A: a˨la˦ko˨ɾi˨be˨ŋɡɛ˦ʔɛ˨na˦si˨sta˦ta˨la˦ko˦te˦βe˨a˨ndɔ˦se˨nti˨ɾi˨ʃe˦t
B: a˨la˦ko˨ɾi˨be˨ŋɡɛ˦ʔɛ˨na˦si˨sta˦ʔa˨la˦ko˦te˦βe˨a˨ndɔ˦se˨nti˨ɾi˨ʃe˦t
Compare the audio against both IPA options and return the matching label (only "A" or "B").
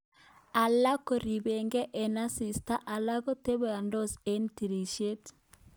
B